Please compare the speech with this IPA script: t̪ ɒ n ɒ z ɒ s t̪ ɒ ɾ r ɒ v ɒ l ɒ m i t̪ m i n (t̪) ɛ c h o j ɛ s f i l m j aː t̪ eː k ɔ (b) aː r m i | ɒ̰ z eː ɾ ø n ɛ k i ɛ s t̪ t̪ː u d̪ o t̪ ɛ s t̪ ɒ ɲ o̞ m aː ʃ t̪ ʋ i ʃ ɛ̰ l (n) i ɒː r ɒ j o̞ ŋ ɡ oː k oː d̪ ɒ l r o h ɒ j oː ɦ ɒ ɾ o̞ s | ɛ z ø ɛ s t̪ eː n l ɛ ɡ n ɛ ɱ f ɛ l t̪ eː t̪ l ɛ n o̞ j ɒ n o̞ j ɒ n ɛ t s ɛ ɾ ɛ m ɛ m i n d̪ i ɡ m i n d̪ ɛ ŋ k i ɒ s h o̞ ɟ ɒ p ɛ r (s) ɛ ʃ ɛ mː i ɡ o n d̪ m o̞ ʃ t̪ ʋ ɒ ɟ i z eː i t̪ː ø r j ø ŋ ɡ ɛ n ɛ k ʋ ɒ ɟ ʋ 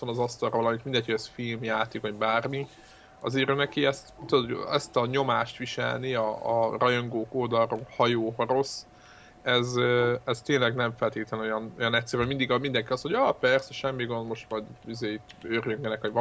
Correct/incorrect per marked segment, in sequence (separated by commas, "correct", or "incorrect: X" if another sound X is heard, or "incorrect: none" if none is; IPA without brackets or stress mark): incorrect: d̪, correct, correct, correct